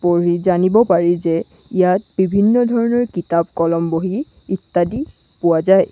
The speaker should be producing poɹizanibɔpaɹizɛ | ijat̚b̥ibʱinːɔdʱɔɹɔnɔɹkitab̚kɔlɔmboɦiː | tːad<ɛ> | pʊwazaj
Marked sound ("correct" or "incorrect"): incorrect